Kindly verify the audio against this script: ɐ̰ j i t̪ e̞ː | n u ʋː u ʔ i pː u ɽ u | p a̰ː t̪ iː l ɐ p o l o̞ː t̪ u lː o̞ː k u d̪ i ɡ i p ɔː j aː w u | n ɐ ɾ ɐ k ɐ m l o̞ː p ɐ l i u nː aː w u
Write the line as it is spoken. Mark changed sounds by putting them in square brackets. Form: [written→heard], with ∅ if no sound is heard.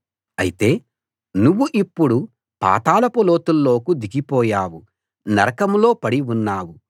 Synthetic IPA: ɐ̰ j i t̪ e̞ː | n u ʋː u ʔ i pː u ɽ u | p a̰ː t̪ [iː→aː] l ɐ p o l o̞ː t̪ u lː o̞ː k u d̪ i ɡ i p ɔː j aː w u | n ɐ ɾ ɐ k ɐ m l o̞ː p ɐ [l→ɽ] i u nː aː w u